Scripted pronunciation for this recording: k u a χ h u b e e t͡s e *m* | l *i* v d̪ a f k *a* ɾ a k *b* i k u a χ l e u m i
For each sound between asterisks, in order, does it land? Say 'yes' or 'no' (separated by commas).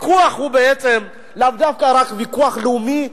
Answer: yes, no, yes, no